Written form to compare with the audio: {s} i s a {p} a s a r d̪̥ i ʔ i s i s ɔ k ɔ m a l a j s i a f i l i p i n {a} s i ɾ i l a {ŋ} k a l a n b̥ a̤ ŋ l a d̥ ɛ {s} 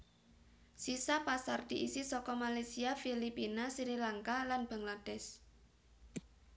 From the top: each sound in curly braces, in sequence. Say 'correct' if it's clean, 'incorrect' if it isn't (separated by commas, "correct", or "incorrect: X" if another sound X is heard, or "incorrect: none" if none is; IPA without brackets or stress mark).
correct, correct, correct, correct, correct